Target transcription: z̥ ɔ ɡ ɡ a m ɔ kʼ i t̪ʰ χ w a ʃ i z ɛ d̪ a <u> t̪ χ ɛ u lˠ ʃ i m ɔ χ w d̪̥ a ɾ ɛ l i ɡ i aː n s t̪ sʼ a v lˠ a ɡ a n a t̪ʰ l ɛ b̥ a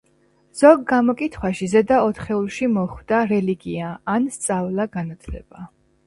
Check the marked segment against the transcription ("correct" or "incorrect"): incorrect